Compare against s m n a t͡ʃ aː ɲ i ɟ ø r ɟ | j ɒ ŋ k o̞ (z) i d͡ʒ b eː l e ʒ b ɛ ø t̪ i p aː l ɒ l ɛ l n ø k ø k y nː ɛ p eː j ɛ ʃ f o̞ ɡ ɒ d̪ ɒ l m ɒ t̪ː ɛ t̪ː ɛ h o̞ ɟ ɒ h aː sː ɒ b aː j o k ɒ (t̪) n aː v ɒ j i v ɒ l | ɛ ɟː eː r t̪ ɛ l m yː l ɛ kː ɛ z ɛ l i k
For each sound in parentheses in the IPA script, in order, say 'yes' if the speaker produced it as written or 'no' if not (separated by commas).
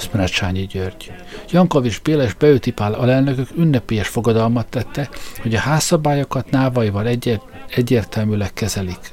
no, yes